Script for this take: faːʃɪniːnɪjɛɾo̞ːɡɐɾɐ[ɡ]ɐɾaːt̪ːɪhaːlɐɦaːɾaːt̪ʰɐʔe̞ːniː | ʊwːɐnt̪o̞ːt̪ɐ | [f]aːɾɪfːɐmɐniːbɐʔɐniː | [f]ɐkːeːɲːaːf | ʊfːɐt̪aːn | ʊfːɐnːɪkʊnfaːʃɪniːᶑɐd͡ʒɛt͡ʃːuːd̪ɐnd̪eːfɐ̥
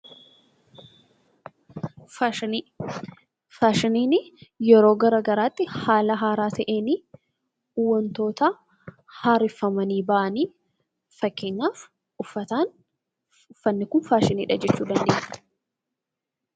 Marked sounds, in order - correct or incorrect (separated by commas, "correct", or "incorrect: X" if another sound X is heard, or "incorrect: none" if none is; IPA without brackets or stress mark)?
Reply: correct, incorrect: h, correct